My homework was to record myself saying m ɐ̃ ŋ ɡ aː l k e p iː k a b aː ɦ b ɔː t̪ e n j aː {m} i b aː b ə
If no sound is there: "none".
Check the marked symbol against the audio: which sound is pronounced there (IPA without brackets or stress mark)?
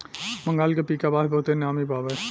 m